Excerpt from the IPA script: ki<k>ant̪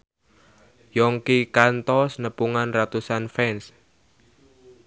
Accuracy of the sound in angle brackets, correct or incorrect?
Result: correct